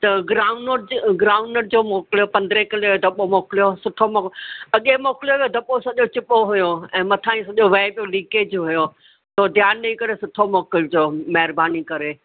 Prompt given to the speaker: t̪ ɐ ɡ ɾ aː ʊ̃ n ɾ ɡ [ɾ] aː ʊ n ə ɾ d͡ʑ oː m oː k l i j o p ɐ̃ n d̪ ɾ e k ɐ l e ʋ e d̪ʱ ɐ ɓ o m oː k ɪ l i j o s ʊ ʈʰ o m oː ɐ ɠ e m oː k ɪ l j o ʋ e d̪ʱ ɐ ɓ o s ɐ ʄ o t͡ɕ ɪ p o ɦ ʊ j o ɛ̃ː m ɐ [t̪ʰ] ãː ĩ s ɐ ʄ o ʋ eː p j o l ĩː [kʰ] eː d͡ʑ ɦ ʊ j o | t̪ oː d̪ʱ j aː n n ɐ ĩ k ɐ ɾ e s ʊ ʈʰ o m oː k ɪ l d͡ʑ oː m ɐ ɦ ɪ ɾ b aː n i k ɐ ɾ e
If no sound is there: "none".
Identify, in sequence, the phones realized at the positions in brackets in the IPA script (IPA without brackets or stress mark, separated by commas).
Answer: ɾ, t̪ʰ, k